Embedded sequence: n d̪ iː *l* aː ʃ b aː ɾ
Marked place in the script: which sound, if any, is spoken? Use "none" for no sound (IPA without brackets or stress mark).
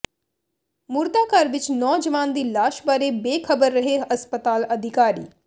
l